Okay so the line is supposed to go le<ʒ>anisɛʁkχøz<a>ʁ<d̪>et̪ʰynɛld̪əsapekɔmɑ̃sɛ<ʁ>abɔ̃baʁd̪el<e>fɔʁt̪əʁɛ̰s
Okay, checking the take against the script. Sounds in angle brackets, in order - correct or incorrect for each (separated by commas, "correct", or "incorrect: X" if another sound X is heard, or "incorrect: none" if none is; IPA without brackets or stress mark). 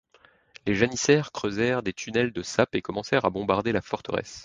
correct, incorrect: ɛ, correct, correct, incorrect: a